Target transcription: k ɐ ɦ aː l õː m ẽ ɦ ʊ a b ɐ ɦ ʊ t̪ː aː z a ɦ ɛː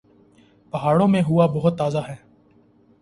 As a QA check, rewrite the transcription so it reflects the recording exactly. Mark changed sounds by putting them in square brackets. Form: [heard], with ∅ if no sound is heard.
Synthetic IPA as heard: [p] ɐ ɦ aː [ɽ] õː m ẽ ɦ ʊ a b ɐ ɦ ʊ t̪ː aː z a ɦ ɛː